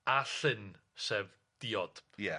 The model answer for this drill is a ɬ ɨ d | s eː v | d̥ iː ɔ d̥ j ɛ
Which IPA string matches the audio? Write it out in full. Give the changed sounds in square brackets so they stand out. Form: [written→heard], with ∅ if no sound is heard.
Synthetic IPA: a ɬ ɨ [d→n] | s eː v | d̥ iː ɔ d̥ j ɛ